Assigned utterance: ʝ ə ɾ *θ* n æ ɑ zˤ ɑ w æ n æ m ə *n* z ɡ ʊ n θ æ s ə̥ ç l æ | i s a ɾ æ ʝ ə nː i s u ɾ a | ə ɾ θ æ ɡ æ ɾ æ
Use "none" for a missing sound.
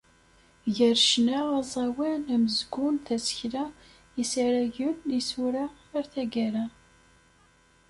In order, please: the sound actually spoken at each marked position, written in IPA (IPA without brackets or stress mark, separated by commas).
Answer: ʃ, none